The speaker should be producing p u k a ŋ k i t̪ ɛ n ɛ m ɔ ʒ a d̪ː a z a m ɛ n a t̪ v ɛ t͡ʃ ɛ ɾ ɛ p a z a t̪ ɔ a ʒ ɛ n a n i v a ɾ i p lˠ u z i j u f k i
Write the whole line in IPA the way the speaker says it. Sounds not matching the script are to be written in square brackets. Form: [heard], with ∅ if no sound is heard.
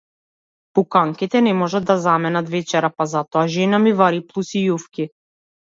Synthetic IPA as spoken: p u k a ŋ k i t̪ ɛ n ɛ m ɔ ʒ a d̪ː a z a m ɛ n a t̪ v ɛ t͡ʃ ɛ ɾ [a] p a z a t̪ ɔ a ʒ ɛ n a [m] i v a ɾ i p lˠ u [s] i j u f k i